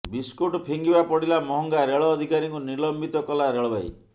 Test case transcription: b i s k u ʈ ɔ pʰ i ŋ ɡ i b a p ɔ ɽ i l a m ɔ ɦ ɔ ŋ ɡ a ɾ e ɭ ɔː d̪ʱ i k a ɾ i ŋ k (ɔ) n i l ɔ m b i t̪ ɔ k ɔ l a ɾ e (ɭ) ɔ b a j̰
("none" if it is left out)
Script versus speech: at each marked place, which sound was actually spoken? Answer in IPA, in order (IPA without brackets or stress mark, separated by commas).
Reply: u, ɭ